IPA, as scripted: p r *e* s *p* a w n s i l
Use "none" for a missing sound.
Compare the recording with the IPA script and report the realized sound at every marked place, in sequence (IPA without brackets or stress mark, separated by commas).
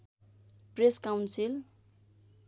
e, k